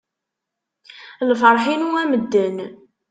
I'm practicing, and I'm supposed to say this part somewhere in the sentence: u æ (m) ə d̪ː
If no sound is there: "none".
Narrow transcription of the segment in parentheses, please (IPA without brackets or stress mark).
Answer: m